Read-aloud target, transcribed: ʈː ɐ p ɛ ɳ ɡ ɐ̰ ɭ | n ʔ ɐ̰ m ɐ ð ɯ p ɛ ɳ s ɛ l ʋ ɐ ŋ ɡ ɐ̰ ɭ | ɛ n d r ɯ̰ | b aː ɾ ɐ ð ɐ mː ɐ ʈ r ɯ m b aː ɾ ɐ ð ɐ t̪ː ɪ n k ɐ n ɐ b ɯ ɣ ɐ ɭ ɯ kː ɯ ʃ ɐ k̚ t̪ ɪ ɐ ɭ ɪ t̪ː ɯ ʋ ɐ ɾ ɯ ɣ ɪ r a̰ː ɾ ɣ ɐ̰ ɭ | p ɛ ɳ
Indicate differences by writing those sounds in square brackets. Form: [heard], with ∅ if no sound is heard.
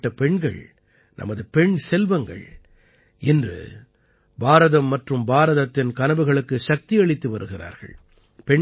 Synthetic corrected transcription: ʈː ɐ p ɛ ɳ ɡ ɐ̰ ɭ | n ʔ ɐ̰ m ɐ ð ɯ p ɛ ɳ s ɛ l ʋ ɐ ŋ ɡ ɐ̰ ɭ | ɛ n d r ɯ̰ | b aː ɾ ɐ ð ɐ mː ɐ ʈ r ɯ m b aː ɾ ɐ ð ɐ t̪ː ɪ n k ɐ n ɐ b ɯ ɣ ɐ ɭ ɯ kː ɯ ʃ ɐ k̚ t̪ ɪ ɐ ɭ ɪ t̪ː ɯ ʋ ɐ ɾ ɯ ɣ ɪ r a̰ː ɾ ɣ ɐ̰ ɭ | p ɛ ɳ

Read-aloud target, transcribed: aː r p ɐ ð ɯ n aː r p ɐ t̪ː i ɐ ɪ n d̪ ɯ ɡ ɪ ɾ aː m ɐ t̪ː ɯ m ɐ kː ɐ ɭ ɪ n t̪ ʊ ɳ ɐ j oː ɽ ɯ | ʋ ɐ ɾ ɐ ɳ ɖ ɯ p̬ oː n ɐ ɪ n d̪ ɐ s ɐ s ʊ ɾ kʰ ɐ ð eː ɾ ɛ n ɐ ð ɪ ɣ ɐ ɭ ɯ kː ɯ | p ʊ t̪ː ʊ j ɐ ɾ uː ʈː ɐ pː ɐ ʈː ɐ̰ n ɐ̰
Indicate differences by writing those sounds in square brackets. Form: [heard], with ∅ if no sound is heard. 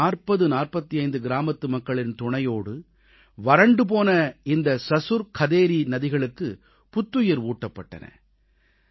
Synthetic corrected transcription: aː r p ɐ ð ɯ n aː r p ɐ t̪ː i ɐ ɪ n d̪ ɯ ɡ ɪ ɾ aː m ɐ t̪ː ɯ m ɐ kː ɐ ɭ ɪ n t̪ ʊ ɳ ɐ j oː ɽ ɯ | ʋ ɐ ɾ ɐ ɳ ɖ ɯ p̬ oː n ɐ ɪ n d̪ ɐ s ɐ s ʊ ɾ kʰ ɐ ð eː ɾ [i] n ɐ ð ɪ ɣ ɐ ɭ ɯ kː ɯ | p ʊ t̪ː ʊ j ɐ ɾ uː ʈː ɐ pː ɐ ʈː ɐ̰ n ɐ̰

